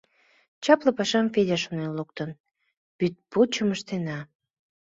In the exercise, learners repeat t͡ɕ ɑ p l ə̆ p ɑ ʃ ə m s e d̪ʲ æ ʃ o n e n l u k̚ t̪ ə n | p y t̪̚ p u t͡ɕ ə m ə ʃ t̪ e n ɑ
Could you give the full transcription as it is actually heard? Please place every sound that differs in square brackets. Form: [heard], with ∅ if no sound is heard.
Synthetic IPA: t͡ɕ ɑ p l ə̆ p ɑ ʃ [ɑ] m [f] e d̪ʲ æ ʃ o n e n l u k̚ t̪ ə n | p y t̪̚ p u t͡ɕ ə m ə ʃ t̪ e n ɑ